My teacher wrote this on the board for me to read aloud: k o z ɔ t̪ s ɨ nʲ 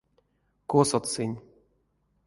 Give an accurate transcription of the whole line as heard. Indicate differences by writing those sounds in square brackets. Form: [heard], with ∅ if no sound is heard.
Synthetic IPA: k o [s] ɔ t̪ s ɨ nʲ